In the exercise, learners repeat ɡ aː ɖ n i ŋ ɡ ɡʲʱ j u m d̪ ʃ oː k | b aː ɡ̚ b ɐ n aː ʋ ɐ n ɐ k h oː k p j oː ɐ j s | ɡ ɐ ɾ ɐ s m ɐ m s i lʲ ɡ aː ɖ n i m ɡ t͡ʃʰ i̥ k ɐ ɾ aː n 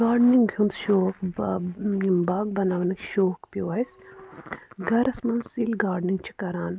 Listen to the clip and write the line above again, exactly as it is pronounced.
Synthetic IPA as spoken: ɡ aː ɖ n i ŋ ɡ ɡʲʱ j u n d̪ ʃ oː k | b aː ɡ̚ b ɐ n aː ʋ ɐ n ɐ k ʃ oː k p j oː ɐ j s | ɡ ɐ ɾ ɐ s m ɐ n s i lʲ ɡ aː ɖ n i ŋ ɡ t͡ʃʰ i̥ k ɐ ɾ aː n